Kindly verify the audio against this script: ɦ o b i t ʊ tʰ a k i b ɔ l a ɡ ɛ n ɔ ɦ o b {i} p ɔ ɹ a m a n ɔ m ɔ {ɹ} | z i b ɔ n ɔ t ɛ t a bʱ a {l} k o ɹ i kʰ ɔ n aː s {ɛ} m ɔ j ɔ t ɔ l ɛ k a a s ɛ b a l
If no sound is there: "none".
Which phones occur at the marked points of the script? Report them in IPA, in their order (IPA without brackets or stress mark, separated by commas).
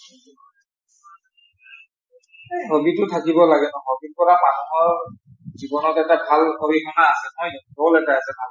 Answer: i, ɹ, l, ɛ